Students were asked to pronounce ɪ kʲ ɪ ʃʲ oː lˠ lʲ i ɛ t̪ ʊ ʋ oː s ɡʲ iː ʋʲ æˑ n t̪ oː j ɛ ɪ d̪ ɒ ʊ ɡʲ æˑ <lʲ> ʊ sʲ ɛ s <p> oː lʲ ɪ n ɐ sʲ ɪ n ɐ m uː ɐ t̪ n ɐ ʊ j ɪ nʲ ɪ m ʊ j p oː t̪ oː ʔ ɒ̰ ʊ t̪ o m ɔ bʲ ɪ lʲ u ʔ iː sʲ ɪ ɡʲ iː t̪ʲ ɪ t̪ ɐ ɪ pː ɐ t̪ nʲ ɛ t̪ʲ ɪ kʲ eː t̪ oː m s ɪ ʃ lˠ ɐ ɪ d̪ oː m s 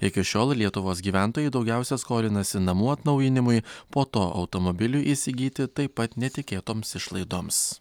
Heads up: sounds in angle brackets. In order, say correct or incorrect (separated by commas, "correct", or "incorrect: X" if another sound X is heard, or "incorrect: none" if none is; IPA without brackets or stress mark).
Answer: incorrect: none, incorrect: k